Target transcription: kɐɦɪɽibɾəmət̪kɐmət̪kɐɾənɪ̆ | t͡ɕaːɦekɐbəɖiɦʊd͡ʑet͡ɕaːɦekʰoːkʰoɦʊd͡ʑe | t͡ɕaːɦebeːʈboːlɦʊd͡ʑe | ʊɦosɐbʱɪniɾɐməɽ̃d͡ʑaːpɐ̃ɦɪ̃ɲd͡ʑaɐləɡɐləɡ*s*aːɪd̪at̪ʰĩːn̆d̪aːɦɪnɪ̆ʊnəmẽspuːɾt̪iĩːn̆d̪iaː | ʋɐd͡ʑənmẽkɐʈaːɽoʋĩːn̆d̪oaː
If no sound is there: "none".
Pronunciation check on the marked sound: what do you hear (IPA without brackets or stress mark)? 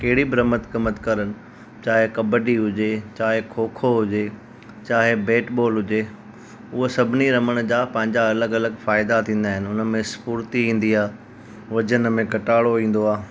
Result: f